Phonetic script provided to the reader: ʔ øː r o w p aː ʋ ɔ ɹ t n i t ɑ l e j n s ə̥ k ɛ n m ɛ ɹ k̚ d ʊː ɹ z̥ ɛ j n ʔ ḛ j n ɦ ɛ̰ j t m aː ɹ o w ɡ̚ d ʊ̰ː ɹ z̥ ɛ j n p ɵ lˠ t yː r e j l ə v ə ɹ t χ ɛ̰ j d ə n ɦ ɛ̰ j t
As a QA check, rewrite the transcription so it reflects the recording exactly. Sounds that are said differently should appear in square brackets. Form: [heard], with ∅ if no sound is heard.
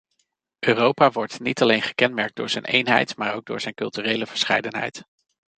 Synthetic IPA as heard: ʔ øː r o w p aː ʋ ɔ ɹ t n i t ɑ l e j n [χ] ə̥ k ɛ n m ɛ ɹ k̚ d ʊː ɹ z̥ ɛ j n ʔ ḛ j n ɦ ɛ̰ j t m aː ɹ o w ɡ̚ d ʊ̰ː ɹ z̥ ɛ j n [k] ɵ lˠ t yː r e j l ə v ə ɹ [s] χ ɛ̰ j d ə n ɦ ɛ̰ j t